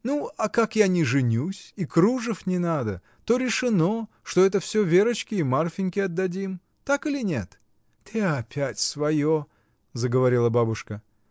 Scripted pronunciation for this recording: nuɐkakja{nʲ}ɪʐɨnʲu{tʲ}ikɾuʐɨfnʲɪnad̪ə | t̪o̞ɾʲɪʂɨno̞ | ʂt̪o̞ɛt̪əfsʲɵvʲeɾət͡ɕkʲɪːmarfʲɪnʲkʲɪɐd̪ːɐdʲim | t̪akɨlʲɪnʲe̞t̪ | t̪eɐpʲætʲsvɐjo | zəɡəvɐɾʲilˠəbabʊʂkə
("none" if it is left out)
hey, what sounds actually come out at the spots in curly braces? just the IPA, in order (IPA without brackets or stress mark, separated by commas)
nʲ, sʲ